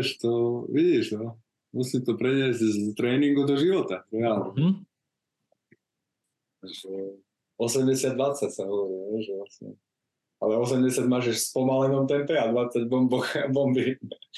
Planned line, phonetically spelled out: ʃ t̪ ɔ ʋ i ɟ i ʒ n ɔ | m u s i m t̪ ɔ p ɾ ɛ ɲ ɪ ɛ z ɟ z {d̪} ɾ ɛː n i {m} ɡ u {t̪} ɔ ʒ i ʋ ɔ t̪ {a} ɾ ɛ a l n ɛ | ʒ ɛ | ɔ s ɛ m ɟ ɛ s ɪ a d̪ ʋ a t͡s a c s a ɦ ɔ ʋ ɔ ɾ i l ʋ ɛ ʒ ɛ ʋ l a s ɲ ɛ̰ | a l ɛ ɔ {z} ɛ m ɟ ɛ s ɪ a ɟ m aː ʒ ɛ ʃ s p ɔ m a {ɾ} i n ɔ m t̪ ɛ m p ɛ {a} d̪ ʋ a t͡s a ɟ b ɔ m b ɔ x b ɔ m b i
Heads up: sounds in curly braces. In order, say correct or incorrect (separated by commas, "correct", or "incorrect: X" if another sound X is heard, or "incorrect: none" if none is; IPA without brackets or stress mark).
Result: incorrect: t̪, incorrect: ŋ, incorrect: d̪, correct, incorrect: s, incorrect: l, correct